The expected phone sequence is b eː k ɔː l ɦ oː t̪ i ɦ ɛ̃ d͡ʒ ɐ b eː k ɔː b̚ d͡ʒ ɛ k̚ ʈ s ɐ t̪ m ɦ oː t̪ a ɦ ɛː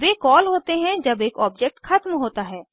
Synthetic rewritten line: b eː k ɔː l ɦ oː t̪ e ɦ ɛ̃ d͡ʒ ɐ b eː k ɔː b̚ d͡ʒ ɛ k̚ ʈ x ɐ t̪ m ɦ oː t̪ a ɦ ɛː